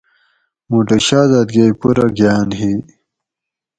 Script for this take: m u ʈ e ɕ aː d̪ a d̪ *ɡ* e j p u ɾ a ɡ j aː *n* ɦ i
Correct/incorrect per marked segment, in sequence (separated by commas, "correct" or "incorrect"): correct, correct